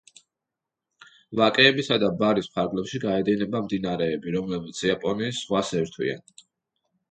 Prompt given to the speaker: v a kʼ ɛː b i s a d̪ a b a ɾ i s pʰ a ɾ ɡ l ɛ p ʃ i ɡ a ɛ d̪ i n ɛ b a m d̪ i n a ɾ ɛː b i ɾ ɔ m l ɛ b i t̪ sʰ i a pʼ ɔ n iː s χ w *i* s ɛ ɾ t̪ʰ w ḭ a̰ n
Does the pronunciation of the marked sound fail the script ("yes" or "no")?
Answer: yes